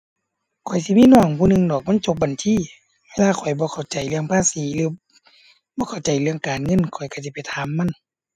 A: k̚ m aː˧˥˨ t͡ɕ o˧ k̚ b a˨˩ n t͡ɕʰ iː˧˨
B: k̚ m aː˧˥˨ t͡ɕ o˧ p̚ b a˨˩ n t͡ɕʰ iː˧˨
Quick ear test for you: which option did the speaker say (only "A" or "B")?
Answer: B